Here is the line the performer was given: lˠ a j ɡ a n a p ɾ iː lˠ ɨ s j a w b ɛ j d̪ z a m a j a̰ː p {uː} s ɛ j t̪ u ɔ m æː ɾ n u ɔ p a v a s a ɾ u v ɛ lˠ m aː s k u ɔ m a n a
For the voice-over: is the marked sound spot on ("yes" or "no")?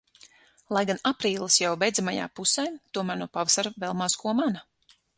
no